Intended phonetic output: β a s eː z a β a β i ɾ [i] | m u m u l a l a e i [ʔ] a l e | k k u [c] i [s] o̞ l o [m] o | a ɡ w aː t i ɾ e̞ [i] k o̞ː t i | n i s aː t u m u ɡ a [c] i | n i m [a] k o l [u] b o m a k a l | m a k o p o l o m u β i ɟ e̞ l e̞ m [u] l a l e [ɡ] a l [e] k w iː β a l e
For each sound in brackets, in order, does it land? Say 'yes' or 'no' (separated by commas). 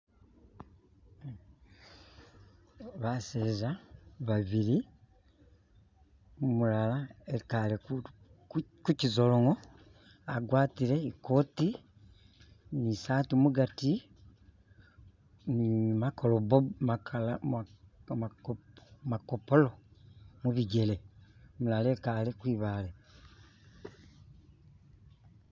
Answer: yes, no, yes, no, no, yes, no, yes, no, yes, no, yes